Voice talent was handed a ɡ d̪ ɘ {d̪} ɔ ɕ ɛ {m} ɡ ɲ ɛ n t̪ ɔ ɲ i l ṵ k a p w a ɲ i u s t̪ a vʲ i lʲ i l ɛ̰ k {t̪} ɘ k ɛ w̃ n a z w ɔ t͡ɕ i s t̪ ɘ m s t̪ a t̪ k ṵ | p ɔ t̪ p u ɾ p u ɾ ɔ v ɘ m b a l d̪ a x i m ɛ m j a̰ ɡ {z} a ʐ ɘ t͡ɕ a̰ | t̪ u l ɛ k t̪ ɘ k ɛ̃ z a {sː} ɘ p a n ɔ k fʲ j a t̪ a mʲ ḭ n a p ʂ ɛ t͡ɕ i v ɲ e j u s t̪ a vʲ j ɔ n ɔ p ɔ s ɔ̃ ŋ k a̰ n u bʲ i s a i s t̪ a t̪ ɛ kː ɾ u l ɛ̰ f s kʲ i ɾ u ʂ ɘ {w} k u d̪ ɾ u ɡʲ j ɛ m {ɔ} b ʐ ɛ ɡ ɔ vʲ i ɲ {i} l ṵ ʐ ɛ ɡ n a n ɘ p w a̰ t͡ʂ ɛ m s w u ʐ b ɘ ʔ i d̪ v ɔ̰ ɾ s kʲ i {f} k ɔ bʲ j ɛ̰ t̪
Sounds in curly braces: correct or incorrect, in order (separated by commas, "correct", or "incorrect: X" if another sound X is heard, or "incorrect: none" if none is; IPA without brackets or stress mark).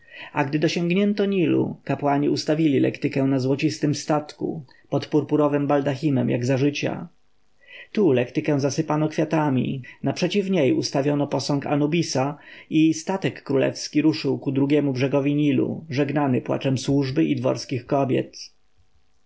correct, incorrect: ŋ, correct, correct, incorrect: s, correct, incorrect: u, correct, incorrect: x